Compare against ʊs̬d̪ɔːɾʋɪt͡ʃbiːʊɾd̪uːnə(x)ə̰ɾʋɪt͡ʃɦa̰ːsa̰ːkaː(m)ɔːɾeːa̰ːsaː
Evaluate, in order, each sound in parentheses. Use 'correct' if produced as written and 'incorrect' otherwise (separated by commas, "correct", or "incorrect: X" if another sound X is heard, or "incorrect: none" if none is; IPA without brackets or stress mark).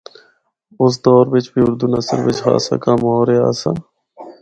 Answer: incorrect: s, correct